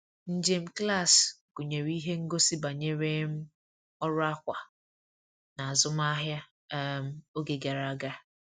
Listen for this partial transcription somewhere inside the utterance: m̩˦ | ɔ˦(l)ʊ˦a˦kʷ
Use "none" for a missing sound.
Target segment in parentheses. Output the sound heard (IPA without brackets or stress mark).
ɾ